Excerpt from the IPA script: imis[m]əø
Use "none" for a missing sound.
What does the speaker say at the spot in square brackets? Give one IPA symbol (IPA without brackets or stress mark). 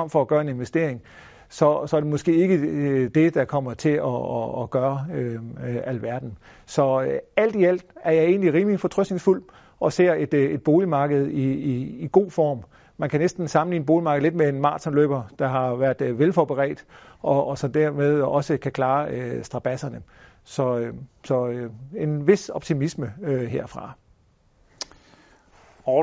m